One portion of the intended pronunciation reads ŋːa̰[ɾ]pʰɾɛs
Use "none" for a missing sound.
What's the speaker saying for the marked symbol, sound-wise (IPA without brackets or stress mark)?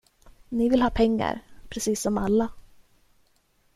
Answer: ɾ